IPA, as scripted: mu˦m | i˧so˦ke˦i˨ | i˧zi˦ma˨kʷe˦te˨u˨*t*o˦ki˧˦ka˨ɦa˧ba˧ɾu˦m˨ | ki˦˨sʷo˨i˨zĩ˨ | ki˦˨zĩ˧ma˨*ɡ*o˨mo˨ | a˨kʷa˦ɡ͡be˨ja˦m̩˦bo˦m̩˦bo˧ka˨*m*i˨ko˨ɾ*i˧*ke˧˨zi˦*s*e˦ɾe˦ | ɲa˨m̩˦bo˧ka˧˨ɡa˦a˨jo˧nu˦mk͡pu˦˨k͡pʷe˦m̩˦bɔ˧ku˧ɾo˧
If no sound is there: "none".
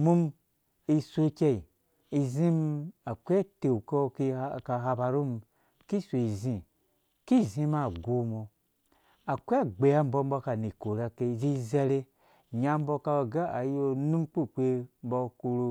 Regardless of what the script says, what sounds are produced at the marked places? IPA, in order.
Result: k, ɡ, n, a˧, z

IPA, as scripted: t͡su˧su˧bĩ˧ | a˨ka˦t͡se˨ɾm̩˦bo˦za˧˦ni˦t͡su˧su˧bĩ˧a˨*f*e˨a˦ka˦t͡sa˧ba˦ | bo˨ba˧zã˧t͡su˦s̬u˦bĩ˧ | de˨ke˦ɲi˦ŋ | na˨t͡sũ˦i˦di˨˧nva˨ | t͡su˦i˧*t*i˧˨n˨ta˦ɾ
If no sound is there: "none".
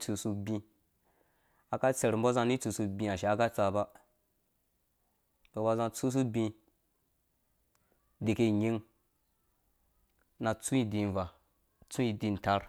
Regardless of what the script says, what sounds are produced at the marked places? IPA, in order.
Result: ʃ, d

